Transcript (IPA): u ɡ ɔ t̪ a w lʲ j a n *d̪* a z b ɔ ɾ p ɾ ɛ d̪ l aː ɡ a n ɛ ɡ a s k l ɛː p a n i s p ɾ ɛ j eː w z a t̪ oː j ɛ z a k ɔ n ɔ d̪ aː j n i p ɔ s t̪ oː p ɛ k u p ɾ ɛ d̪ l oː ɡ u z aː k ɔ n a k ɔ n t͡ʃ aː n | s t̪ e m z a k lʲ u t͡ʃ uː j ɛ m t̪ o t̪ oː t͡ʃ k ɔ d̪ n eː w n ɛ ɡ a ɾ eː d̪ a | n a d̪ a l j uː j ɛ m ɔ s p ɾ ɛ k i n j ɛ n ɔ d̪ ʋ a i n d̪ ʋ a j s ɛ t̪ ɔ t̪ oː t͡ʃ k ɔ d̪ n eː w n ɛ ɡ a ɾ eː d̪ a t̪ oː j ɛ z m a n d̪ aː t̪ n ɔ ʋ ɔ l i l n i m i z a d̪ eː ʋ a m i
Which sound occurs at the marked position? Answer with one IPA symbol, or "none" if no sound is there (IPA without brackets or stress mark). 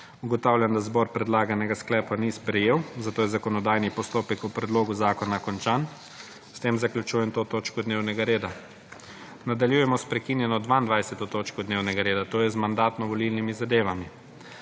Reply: d̪